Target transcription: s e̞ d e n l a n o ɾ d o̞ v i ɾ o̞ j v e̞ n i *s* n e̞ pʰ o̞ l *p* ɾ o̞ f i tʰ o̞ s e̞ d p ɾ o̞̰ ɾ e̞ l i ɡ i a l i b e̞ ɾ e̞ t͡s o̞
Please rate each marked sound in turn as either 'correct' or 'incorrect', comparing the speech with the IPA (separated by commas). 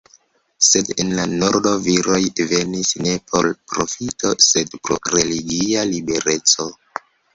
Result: correct, correct